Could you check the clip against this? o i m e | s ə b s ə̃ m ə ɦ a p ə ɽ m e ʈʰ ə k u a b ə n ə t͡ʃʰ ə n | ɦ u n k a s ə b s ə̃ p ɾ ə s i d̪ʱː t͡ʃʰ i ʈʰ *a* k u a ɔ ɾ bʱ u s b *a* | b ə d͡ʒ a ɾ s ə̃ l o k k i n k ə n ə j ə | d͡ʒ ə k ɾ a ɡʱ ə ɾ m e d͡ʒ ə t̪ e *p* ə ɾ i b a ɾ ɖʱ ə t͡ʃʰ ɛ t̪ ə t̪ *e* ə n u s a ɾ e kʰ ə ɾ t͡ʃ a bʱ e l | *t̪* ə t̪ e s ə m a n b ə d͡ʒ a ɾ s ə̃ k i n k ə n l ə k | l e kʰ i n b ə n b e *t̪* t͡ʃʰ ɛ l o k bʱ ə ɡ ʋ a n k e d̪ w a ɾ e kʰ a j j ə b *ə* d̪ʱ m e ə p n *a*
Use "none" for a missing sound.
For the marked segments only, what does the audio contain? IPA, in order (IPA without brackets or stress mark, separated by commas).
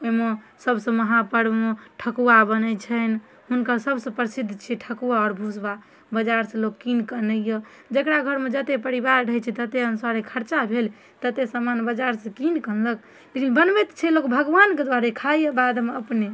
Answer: ə, a, p, e, t̪, t̪, a, e